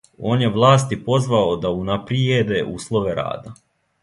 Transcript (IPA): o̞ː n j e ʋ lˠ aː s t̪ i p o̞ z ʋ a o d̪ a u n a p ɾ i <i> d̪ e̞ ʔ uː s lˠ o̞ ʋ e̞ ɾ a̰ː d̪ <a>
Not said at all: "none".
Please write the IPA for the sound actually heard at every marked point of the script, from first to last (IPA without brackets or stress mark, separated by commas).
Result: e, a